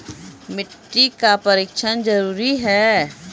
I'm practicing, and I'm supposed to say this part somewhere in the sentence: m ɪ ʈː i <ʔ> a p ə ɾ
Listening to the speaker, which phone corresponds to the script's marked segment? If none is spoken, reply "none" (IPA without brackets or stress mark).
k